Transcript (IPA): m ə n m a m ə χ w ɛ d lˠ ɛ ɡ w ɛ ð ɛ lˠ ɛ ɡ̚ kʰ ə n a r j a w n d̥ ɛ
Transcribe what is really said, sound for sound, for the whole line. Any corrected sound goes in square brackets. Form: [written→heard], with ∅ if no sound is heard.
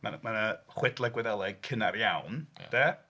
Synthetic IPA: m [ə→a] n m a [m→n] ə χ w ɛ d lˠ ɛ ɡ w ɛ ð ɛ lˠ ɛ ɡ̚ kʰ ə n a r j a w n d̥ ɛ